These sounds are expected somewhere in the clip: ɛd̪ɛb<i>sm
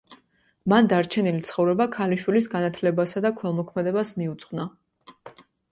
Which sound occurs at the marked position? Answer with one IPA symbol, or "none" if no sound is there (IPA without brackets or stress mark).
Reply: a